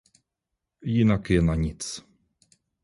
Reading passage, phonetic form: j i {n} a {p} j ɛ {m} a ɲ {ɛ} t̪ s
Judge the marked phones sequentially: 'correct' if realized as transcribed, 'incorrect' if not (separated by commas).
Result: correct, incorrect, incorrect, incorrect